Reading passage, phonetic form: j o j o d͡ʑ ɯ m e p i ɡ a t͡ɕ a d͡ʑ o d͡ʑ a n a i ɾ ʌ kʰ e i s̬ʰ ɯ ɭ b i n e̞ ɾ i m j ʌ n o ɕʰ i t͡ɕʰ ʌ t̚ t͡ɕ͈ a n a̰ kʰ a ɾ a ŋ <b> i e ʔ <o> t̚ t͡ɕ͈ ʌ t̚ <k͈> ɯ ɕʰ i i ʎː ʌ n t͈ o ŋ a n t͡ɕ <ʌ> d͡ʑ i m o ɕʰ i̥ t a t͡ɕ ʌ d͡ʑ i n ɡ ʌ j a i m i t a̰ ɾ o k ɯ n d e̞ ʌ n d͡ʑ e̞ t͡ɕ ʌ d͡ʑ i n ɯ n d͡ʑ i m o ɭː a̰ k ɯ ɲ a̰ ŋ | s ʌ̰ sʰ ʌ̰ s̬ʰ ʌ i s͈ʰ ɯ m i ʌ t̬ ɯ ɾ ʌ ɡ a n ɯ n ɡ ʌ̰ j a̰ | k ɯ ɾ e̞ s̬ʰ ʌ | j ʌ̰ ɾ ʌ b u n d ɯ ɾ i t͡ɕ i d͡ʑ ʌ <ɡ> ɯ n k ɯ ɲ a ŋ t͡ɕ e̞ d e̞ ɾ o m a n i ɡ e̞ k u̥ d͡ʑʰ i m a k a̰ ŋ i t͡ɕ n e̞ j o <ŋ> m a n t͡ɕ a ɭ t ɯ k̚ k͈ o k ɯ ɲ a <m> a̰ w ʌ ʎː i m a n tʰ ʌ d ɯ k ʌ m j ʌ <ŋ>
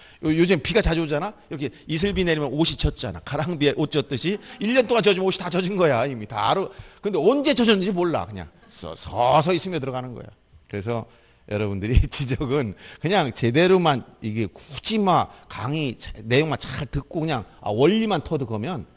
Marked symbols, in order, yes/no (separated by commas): yes, yes, no, yes, yes, yes, no, no